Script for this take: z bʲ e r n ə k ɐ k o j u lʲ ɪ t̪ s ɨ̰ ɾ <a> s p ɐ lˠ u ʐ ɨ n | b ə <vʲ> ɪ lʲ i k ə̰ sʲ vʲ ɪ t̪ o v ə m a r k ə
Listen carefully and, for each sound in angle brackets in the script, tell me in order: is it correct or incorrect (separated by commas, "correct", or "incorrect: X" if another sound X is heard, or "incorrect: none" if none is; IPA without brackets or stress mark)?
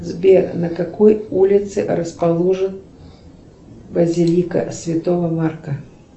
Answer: incorrect: ə, incorrect: zʲ